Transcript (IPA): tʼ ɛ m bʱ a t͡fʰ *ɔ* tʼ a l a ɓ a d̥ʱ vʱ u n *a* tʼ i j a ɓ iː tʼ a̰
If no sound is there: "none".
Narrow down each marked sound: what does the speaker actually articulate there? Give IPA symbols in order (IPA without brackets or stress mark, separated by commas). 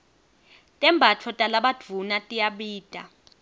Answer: ɔ, a